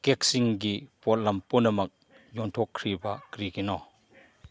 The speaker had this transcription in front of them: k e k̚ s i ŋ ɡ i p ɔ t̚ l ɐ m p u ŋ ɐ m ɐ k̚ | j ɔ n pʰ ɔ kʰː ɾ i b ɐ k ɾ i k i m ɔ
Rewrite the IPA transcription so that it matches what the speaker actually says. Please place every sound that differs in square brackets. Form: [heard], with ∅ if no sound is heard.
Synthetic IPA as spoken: k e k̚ s i ŋ ɡ i p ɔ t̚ l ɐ m p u [n] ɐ m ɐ k̚ | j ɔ n [tʰ] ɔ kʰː ɾ i b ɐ k ɾ i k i [n] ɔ